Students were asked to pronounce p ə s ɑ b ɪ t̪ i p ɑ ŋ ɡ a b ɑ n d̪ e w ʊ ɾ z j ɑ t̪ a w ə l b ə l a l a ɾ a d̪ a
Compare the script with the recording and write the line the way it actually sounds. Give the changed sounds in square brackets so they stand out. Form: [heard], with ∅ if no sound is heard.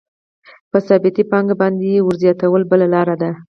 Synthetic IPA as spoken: p ə s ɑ b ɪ t̪ i p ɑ ŋ ɡ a b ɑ n d̪ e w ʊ ɾ z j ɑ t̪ a w ə l b ə l a l [ɑ] ɾ a d̪ a